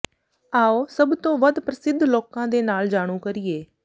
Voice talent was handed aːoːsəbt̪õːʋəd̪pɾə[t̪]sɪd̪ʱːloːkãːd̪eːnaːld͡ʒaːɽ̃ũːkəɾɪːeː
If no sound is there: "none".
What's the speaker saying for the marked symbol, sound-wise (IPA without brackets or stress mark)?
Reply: none